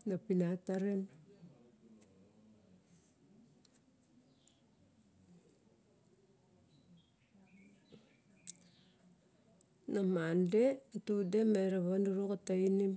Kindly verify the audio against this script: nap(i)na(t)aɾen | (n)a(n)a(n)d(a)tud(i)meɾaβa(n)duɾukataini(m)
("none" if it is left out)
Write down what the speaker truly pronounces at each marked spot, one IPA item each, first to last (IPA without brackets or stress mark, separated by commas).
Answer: i, t, n, m, n, e, e, n, m